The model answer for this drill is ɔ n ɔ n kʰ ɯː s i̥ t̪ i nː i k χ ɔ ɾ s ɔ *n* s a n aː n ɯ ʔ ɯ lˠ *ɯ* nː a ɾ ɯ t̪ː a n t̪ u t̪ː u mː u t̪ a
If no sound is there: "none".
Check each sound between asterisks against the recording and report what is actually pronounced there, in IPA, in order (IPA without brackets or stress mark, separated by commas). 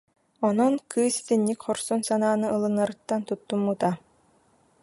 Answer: n, ɯ